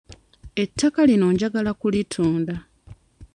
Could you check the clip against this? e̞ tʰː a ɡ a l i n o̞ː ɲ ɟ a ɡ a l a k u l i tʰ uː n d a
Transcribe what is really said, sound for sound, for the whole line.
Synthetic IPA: e̞ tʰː a k a l i n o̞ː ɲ ɟ a ɡ a l a k u l i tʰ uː n d a